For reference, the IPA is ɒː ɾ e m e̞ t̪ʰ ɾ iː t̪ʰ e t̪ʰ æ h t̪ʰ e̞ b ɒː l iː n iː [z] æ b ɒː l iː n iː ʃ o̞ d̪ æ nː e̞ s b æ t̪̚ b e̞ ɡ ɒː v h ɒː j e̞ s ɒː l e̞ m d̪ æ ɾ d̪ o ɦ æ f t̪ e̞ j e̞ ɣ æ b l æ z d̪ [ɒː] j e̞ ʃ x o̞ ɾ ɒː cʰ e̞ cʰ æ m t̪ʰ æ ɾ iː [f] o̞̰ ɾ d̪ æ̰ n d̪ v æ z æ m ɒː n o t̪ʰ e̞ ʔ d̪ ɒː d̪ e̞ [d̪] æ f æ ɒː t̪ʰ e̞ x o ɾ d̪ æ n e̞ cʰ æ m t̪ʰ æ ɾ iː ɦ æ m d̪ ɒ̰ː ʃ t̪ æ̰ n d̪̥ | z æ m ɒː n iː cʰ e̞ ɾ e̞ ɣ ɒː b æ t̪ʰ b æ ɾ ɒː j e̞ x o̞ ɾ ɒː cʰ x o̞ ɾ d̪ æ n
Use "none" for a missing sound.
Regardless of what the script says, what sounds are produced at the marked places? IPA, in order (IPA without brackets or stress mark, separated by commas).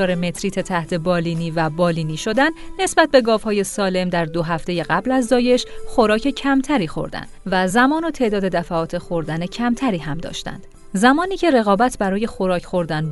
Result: v, ɒː, x, d̪